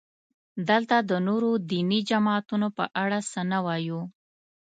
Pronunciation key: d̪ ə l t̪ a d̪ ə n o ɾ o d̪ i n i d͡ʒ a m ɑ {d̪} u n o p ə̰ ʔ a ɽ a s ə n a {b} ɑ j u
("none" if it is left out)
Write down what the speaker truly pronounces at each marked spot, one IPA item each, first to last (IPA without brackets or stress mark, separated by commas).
t̪, w